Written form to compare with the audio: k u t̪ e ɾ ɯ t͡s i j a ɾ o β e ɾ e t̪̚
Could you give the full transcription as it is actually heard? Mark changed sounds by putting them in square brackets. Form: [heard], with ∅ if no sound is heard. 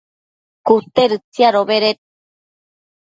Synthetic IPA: k u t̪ e ɾ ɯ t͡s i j a ɾ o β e ɾ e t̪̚